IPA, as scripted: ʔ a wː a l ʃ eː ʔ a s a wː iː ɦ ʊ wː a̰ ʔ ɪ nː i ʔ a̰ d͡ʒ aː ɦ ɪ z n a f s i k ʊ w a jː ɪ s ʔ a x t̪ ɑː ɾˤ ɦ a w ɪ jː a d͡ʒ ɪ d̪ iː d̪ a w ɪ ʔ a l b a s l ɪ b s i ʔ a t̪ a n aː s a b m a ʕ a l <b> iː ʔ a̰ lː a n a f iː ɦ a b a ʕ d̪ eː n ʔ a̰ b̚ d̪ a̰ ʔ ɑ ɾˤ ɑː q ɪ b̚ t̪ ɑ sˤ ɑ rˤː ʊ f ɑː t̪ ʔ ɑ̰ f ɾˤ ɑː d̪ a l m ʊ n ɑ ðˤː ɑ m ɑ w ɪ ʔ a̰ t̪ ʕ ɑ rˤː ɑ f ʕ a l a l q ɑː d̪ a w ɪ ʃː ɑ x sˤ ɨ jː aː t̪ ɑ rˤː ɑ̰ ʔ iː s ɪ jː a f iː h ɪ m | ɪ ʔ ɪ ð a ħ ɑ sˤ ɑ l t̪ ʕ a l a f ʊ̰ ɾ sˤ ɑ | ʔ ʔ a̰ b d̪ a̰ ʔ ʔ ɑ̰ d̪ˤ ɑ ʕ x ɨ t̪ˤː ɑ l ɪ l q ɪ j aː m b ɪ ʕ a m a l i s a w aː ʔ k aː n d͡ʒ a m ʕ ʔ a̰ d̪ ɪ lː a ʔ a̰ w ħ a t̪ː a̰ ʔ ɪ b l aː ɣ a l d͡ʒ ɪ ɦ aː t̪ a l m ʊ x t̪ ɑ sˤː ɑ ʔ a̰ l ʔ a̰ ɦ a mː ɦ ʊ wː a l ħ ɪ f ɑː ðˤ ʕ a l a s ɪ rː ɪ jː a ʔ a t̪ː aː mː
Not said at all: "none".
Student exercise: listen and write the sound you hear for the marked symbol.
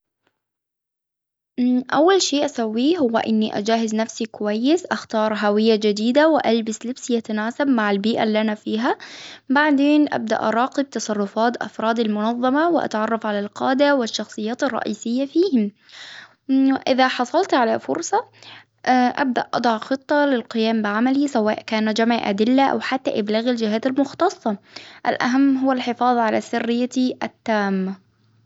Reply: b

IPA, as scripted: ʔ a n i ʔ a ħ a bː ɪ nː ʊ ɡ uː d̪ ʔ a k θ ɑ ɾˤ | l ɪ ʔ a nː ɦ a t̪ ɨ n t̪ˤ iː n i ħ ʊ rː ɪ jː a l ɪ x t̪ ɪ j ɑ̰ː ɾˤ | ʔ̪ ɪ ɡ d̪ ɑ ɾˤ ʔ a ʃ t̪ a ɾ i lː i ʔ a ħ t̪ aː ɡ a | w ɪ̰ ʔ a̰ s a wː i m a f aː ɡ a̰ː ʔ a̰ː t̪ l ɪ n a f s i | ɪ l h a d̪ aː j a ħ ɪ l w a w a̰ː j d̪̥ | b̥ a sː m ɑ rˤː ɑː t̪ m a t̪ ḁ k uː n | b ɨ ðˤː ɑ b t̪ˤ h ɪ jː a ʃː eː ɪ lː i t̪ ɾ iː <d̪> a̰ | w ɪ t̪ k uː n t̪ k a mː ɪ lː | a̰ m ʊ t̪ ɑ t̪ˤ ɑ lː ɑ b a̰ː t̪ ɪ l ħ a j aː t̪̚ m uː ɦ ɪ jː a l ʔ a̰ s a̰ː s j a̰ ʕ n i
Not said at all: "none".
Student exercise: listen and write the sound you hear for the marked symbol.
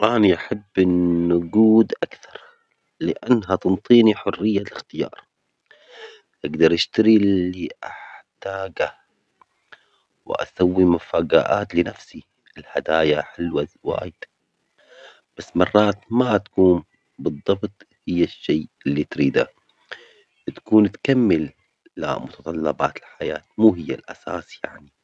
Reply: d̪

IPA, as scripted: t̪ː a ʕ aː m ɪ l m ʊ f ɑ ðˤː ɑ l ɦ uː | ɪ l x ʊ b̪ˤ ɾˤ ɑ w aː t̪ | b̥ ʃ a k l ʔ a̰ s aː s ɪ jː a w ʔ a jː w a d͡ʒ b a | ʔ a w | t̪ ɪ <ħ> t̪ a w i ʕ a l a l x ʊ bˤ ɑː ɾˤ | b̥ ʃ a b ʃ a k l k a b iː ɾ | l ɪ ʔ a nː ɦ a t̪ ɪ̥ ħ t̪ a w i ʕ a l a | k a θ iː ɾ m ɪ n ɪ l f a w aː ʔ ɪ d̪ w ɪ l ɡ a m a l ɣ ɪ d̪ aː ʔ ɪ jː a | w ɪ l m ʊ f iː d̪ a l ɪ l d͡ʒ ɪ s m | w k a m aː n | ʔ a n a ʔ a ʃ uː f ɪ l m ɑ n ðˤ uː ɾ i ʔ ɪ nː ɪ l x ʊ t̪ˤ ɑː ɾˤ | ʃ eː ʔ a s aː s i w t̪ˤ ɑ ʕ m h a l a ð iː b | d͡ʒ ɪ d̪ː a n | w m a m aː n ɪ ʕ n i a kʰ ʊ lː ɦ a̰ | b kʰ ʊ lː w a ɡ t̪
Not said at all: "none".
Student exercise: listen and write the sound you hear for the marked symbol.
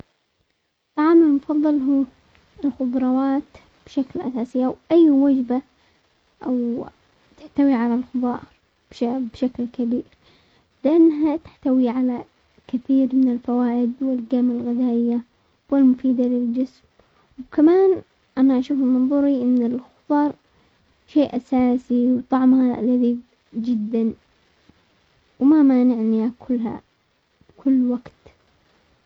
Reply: ħ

